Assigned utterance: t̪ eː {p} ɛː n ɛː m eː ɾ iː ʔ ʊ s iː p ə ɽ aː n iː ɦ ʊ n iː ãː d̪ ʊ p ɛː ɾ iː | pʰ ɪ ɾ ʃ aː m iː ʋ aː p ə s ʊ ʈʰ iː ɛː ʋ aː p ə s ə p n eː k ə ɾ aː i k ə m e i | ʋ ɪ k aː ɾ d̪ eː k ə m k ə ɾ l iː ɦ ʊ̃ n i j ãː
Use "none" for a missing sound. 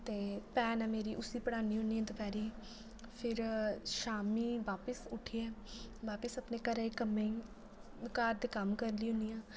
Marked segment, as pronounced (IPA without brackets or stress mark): p